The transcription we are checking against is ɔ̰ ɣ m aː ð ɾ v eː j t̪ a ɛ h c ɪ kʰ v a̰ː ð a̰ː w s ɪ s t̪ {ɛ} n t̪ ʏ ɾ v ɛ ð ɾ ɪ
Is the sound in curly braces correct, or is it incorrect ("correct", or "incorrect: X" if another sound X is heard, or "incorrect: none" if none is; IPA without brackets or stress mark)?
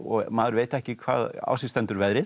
correct